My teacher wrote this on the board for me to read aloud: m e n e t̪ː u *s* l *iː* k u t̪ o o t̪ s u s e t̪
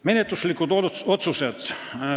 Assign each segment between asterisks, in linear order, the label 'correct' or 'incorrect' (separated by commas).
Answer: correct, incorrect